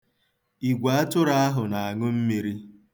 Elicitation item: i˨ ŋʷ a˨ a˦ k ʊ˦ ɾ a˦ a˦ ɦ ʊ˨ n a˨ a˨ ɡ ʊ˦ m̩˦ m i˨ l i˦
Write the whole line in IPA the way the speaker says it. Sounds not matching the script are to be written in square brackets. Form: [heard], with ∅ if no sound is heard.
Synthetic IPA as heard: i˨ [ɡʷ] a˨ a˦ [t] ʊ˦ ɾ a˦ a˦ ɦ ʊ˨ n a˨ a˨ [ŋ] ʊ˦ m̩˦ m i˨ [ɾ] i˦